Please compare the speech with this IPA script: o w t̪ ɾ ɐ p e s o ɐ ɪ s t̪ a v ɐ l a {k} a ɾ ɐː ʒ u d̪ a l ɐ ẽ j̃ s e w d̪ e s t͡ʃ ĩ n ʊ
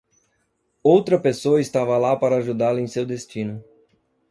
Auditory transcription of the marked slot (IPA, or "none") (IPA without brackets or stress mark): p